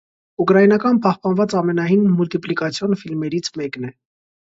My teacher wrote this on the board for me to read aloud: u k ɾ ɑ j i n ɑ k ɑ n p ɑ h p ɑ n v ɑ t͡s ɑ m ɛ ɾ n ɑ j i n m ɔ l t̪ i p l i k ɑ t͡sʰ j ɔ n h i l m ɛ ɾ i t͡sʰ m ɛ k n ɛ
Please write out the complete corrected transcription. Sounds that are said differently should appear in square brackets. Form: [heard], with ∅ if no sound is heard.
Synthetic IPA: u k ɾ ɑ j i n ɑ k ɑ n p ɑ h p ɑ n v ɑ t͡s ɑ m ɛ [∅] n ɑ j i n m [u] l t̪ i p l i k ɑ t͡sʰ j ɔ n [f] i l m ɛ ɾ i t͡sʰ m ɛ k n ɛ